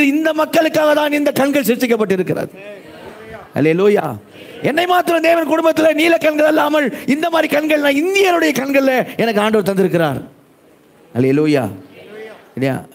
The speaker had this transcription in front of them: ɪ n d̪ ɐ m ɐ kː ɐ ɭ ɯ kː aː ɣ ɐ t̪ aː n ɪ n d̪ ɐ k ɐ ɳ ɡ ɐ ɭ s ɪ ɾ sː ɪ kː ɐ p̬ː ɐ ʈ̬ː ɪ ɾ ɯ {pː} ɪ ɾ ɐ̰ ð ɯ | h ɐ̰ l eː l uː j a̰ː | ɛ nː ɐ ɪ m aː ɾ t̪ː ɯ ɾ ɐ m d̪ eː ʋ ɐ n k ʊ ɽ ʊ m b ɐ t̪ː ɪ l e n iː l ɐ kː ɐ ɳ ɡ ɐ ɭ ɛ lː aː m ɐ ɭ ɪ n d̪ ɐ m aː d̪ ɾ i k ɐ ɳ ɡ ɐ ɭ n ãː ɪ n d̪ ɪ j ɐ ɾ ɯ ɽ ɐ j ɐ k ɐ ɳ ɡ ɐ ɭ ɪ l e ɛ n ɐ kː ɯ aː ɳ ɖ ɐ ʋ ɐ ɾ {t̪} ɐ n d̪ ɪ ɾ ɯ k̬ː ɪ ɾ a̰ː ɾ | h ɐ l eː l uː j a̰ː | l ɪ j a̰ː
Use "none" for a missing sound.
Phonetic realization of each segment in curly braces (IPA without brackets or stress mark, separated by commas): kː, t̪